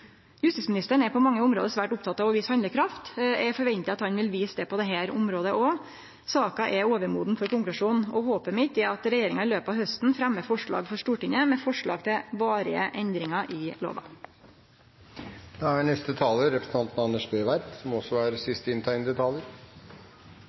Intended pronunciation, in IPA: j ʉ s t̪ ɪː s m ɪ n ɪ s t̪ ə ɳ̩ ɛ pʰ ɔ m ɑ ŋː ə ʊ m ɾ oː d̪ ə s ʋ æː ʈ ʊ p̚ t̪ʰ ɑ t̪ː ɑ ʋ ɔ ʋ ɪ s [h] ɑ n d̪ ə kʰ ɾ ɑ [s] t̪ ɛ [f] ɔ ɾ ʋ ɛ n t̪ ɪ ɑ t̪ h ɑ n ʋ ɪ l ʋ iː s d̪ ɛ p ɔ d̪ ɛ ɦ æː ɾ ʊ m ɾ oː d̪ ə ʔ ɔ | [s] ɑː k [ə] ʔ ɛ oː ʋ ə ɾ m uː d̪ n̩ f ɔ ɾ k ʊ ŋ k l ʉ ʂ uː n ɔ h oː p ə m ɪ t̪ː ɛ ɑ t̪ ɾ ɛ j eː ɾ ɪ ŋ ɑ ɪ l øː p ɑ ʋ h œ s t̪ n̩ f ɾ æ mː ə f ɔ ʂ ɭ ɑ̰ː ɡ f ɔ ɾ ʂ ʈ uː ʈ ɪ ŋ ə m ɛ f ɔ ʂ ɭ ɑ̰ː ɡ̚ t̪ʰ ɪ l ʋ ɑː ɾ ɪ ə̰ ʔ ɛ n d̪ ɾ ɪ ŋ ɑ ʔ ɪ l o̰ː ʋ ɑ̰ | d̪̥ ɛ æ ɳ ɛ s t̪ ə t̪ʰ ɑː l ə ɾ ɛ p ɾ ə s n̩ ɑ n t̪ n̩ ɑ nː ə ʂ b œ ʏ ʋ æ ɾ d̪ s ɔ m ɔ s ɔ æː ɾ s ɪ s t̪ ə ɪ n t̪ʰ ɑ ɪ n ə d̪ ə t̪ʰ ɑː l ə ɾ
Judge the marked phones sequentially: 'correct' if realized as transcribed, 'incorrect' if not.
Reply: correct, incorrect: f, correct, correct, incorrect: ɑ

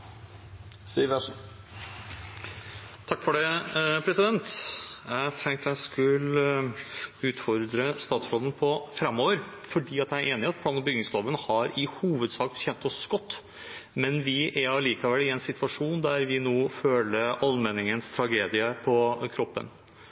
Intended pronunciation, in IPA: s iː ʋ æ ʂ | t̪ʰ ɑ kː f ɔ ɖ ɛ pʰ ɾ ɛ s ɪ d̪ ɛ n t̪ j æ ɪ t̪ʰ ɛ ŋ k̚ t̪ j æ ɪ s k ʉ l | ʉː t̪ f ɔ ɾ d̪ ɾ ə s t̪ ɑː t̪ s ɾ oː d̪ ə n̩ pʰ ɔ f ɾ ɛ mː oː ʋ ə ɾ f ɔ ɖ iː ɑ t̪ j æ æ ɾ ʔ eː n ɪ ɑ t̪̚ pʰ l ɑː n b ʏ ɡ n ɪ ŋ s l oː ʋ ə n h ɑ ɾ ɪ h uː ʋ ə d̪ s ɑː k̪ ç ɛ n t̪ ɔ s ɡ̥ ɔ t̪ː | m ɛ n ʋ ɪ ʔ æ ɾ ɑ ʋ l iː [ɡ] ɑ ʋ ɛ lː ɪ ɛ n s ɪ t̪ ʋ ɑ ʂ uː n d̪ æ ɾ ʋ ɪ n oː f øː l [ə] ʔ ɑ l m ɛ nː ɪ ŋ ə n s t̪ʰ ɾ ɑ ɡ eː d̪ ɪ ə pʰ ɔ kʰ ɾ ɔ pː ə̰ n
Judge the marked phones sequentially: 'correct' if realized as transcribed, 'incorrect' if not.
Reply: incorrect: k, correct

